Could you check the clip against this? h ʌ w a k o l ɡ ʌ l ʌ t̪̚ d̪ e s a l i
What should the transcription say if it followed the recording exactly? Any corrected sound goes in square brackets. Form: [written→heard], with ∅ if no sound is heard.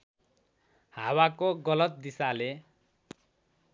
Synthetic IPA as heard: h [ʌ→a] w a k o [l→∅] ɡ ʌ l ʌ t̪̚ d̪ [e→i] s a l [i→e]